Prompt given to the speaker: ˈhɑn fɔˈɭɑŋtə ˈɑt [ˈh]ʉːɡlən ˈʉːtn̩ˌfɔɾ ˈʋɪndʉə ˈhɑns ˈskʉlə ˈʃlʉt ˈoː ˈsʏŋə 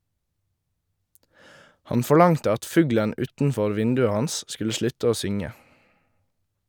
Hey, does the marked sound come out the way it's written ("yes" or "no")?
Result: no